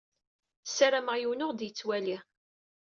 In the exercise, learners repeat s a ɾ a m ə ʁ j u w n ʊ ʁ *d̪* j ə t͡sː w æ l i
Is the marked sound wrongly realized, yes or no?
no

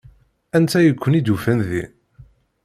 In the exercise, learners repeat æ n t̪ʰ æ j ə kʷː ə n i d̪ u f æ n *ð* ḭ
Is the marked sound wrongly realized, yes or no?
no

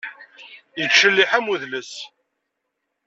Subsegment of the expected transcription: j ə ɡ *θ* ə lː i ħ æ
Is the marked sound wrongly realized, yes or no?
yes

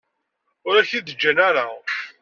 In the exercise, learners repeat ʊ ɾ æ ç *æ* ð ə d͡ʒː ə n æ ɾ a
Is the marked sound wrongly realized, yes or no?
yes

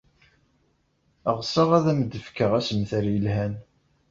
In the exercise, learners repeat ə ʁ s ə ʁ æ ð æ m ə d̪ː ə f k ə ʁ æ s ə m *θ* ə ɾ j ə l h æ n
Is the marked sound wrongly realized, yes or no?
no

